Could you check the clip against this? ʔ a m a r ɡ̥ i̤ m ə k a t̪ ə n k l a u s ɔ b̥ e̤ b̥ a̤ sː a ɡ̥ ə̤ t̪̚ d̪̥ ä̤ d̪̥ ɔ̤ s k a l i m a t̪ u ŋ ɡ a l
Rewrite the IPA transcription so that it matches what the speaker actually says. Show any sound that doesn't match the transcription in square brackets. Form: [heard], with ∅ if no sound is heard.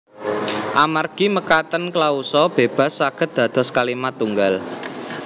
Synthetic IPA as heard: ʔ a m a r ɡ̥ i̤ m ə k a t̪ ə n k l a u s ɔ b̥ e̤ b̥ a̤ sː a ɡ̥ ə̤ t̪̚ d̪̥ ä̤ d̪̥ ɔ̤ s k a l i m a t̪ u ŋ ɡ a l